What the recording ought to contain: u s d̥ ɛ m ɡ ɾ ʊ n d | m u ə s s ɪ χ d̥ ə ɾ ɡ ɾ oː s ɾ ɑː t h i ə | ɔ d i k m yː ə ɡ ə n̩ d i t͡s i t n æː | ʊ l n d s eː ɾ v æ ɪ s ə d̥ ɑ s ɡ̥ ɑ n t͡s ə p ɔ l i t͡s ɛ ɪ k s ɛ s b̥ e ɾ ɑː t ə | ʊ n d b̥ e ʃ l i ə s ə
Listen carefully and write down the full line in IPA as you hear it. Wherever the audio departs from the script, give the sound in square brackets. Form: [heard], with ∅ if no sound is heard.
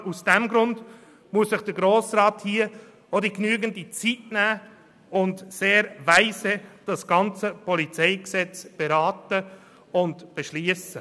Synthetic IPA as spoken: u s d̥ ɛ m ɡ ɾ ʊ n d | m u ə s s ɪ χ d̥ ə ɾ ɡ ɾ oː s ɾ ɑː t h i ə | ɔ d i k [n] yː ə ɡ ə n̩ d i t͡s i t n æː | ʊ [∅] n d s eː ɾ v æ ɪ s ə d̥ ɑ s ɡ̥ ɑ n t͡s ə p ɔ l i t͡s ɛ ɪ k s ɛ [t͡s] b̥ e ɾ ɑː t ə | ʊ n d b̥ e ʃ l i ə s ə